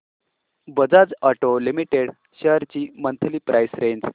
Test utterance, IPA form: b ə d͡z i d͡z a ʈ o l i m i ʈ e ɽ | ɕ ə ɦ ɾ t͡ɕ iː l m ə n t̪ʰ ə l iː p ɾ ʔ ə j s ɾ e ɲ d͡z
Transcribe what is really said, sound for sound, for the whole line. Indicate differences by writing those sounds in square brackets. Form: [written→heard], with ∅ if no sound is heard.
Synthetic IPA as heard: b ə d͡z [i→a] d͡z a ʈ o l i m i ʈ e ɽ | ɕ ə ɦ ɾ t͡ɕ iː [l→∅] m ə n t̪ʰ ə l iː p ɾ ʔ [ə→a] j s ɾ e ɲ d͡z

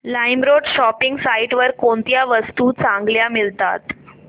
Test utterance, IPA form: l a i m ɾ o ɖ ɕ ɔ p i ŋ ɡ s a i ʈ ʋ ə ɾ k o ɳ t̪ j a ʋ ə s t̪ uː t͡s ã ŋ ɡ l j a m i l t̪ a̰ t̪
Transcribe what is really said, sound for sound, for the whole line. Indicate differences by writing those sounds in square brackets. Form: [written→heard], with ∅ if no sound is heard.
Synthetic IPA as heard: l a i m ɾ o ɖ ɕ ɔ p i ŋ ɡ s a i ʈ ʋ ə ɾ k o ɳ t̪ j a ʋ ə s t̪ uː t͡s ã ŋ ɡ l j a m i l t̪ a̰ t̪

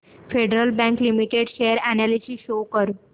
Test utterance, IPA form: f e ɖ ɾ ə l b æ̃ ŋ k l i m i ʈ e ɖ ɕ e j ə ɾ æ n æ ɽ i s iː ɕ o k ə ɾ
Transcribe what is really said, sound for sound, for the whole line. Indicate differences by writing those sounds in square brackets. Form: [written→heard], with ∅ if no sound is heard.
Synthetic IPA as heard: f e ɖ ɾ ə l b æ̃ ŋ k l i m i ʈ e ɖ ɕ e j ə ɾ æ n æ [ɽ→l] i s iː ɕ o k ə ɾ

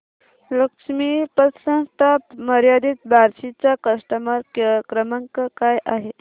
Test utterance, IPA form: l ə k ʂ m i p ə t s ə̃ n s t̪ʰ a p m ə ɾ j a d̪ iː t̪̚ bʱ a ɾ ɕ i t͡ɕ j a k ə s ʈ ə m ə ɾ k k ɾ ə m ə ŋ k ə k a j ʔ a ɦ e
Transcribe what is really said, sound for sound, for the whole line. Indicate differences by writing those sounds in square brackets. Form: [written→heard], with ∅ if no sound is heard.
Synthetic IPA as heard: l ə k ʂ m i p ə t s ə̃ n s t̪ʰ a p m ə ɾ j a d̪ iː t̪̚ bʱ a ɾ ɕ i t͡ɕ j a k ə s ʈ ə m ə ɾ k k ɾ ə m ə ŋ k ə k a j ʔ a ɦ e

